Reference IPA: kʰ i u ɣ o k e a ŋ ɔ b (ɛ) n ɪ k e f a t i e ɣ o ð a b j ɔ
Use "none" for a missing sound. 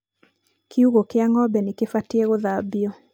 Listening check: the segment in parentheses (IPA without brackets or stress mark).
ɛ